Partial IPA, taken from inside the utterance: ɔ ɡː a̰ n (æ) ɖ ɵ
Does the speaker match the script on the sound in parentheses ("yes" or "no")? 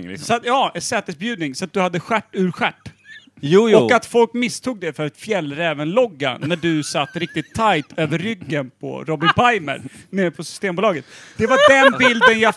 yes